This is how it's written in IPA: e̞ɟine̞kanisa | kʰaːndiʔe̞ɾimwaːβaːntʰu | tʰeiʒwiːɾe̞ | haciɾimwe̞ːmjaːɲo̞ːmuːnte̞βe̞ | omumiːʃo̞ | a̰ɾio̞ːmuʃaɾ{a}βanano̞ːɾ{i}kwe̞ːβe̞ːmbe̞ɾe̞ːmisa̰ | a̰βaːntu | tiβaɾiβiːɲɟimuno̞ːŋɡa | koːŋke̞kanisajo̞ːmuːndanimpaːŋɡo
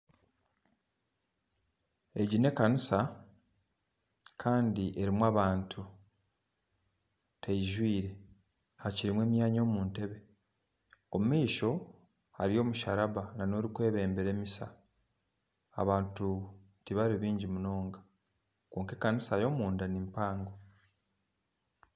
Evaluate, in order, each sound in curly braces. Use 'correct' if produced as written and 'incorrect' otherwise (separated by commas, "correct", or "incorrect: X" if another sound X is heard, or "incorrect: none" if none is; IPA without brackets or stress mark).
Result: correct, correct